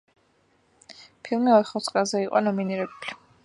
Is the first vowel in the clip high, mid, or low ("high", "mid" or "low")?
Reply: high